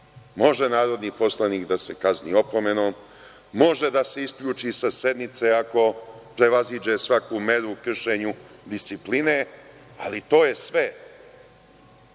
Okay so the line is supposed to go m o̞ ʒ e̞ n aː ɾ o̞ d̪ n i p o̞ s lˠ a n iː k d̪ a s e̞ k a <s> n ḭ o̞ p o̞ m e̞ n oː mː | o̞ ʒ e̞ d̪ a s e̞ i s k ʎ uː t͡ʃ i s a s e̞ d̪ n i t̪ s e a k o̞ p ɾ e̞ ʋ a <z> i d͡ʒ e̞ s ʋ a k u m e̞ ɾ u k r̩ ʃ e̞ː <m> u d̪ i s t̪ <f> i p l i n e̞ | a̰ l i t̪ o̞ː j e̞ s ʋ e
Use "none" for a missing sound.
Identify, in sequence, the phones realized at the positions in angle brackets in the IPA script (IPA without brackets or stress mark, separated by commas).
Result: z, z, ɲ, s